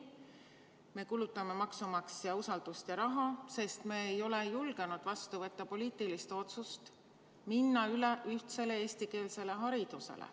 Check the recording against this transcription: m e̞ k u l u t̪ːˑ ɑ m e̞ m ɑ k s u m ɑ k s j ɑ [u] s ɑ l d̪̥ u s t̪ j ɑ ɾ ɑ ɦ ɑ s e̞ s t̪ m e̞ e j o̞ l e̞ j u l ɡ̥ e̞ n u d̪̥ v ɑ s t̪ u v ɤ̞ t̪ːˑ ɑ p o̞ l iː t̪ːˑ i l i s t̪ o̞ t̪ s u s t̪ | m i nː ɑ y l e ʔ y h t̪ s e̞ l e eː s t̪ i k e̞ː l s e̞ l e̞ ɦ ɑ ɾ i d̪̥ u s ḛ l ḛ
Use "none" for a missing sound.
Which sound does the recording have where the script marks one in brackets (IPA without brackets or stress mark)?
u